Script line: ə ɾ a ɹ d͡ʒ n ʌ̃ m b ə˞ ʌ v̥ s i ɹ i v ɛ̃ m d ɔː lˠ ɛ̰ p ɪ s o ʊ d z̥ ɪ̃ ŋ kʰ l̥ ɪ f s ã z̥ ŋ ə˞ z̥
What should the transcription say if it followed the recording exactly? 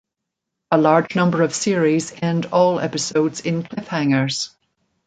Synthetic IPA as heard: ə l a ɹ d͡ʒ n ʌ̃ m b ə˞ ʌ v̥ s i ɹ i z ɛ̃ n d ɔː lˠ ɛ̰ p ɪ s o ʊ d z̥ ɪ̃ n kʰ l̥ ɪ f h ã ŋ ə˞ z̥